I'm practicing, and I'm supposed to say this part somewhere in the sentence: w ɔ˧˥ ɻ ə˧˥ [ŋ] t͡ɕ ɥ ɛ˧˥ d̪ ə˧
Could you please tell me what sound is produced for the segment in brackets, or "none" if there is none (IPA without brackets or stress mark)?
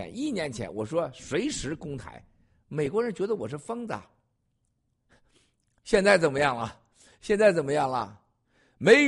n